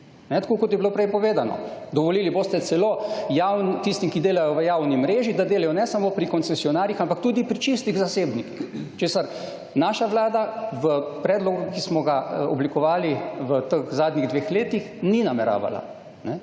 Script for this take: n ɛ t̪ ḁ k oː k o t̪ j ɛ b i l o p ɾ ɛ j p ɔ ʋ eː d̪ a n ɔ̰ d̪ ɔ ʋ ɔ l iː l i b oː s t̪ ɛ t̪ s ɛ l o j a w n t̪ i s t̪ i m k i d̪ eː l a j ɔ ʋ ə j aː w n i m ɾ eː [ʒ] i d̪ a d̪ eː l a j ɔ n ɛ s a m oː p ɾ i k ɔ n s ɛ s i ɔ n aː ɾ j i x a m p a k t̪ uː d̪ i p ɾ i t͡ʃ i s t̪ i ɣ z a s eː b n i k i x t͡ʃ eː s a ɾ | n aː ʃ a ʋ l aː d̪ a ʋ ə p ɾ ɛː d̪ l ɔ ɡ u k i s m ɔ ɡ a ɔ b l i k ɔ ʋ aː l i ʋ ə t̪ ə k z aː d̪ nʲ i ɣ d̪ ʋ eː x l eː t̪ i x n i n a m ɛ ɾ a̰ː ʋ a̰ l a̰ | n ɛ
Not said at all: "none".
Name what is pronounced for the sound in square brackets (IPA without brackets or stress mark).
ʒ